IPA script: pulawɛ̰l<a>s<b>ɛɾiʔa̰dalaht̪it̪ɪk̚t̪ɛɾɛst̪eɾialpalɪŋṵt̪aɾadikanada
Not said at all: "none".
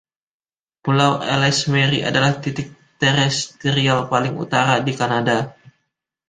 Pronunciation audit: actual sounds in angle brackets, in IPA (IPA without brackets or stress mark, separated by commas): ɛ, m